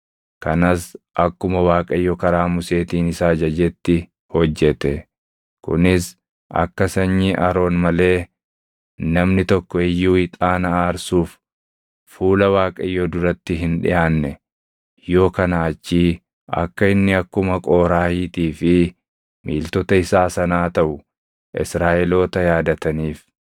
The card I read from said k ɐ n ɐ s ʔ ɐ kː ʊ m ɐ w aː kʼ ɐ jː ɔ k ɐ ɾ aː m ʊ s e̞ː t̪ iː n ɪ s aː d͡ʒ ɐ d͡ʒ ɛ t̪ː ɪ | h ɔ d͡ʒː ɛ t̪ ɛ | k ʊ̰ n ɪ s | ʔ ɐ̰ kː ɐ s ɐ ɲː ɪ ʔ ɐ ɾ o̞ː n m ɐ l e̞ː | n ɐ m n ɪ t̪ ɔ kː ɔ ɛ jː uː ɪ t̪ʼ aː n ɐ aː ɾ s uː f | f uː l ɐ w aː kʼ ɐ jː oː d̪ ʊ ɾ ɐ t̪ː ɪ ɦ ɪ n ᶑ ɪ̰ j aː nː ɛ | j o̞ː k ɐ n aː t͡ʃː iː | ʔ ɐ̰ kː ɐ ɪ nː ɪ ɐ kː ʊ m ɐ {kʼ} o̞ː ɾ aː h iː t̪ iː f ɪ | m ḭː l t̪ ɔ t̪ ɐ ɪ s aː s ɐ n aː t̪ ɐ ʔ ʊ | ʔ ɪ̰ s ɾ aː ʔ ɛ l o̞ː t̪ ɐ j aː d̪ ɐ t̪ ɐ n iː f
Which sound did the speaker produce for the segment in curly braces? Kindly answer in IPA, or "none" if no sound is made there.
kʼ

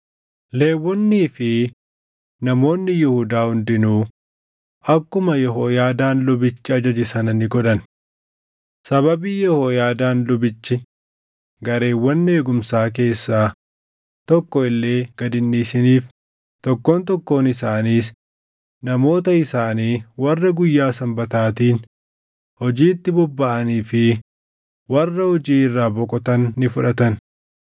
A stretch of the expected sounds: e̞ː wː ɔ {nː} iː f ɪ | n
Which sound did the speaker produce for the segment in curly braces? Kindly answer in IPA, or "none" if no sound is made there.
nː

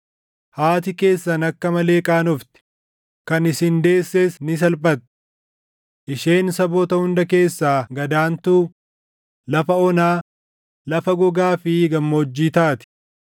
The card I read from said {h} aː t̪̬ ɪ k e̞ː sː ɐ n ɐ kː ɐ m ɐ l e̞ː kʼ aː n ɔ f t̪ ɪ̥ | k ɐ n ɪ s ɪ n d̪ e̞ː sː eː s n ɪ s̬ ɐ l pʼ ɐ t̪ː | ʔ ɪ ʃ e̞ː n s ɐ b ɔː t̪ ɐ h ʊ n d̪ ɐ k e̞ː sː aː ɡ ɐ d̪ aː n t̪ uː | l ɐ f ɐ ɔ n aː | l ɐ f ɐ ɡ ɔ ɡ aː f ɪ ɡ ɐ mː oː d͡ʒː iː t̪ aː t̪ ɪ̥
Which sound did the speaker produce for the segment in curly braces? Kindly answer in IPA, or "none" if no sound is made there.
h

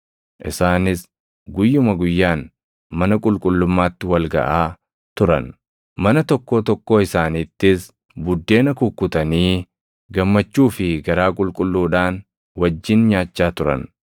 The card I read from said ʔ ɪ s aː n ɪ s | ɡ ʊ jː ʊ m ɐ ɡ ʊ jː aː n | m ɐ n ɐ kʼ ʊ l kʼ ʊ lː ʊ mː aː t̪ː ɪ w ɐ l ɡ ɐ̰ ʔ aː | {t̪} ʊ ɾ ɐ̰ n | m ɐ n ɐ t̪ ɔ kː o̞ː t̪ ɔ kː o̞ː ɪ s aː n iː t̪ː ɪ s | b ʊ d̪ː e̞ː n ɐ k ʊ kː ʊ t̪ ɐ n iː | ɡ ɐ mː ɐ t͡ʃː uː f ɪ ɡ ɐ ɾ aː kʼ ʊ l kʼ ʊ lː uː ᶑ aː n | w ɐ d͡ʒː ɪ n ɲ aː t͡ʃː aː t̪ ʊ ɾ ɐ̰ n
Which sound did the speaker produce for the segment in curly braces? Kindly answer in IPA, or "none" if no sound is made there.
t̪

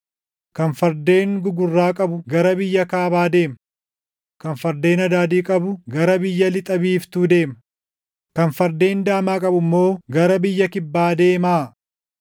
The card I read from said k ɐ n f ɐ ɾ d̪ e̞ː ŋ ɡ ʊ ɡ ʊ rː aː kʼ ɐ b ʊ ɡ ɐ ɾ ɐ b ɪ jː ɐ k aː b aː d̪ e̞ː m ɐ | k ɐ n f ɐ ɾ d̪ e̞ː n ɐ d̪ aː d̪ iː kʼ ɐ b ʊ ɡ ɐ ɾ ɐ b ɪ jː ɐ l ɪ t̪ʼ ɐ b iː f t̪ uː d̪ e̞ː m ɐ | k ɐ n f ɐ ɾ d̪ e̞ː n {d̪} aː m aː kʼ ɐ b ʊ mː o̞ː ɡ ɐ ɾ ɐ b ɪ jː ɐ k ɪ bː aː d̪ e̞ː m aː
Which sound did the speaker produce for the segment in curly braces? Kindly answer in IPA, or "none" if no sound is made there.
d̪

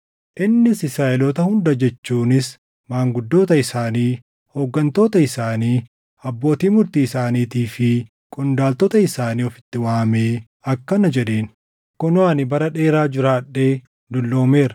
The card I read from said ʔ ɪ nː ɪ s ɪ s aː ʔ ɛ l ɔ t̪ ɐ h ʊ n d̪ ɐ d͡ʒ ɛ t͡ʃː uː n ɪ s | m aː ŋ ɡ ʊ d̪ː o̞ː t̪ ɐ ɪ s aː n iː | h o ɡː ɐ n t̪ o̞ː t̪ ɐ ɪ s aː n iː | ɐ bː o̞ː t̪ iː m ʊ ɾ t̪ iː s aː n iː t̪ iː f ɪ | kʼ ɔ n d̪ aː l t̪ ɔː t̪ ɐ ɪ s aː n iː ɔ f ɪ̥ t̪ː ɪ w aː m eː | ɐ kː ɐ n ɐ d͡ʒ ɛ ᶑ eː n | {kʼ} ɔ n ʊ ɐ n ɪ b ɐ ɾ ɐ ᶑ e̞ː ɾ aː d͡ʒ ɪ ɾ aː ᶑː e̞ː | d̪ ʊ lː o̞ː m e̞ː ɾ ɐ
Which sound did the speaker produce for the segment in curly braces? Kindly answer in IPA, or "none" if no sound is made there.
k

